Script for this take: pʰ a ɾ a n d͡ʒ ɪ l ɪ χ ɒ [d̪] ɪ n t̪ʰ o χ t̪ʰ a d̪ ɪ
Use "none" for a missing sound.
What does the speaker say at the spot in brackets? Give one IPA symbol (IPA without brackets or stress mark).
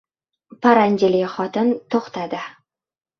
t̪